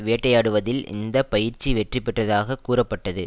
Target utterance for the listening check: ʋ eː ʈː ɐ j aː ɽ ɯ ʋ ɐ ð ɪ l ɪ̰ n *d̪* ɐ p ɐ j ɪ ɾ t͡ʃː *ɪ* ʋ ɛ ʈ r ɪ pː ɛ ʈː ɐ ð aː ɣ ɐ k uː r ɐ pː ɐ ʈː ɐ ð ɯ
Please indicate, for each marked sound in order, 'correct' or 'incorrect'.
correct, incorrect

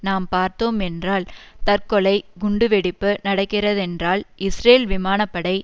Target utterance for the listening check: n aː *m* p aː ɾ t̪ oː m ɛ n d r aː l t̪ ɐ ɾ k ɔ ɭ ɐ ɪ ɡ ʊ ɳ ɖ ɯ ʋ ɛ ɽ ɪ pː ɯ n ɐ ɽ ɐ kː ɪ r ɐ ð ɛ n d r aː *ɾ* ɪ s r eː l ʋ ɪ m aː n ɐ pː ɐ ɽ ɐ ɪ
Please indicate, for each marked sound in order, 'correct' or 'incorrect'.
correct, incorrect

